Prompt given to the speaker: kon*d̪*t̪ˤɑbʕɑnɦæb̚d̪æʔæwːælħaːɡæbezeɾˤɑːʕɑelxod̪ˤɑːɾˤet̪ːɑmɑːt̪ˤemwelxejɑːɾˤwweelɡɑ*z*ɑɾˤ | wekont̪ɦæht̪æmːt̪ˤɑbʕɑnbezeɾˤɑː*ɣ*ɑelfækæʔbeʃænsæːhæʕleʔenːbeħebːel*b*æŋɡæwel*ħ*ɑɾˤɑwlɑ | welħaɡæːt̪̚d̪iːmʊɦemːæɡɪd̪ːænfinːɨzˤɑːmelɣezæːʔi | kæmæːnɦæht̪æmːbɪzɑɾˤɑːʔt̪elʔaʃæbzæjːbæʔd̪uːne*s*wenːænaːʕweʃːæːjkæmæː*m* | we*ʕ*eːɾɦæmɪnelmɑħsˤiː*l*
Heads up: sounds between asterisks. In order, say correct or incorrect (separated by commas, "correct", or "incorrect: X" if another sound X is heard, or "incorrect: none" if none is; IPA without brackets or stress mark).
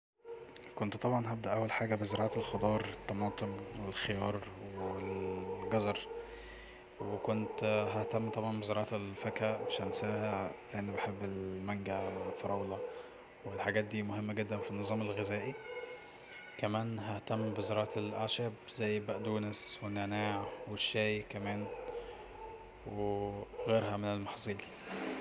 incorrect: t̪, correct, incorrect: ʕ, incorrect: m, incorrect: f, correct, incorrect: n, incorrect: ɣ, correct